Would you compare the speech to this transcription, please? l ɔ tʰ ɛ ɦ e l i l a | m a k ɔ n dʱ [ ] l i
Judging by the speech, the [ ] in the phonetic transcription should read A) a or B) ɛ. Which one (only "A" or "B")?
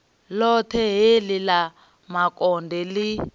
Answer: B